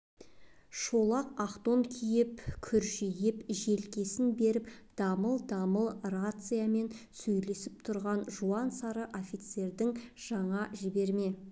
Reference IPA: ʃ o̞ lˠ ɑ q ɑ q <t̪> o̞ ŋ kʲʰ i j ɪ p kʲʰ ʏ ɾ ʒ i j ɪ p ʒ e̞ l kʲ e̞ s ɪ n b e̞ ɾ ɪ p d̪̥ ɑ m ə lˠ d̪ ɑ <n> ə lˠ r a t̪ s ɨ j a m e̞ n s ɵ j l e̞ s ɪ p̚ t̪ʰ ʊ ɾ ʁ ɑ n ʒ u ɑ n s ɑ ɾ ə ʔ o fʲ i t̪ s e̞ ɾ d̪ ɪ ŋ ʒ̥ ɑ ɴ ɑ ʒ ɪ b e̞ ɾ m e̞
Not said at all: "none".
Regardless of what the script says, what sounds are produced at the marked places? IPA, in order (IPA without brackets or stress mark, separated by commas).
t̪, m